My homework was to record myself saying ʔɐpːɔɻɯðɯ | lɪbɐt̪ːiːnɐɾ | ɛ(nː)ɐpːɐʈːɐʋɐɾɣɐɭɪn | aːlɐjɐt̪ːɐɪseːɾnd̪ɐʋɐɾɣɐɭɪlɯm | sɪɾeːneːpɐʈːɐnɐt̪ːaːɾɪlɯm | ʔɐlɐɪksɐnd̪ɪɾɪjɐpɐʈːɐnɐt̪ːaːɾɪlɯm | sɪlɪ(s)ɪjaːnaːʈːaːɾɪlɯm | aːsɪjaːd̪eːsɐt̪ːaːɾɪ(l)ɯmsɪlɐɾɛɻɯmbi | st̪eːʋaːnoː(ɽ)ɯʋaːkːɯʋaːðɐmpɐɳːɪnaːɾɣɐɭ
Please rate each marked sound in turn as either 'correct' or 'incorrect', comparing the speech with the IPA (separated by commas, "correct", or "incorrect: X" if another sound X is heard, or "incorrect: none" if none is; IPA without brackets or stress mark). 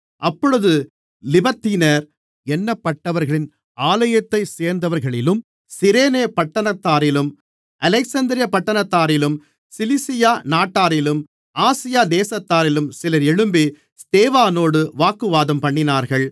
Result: correct, correct, correct, correct